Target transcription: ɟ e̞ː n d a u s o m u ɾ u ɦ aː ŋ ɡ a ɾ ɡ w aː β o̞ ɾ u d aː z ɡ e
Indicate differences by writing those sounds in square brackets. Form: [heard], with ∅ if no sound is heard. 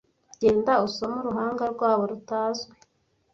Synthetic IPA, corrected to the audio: ɟ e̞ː n d a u s o m u ɾ u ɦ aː ŋ ɡ a ɾ ɡ w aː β o̞ ɾ u [t] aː z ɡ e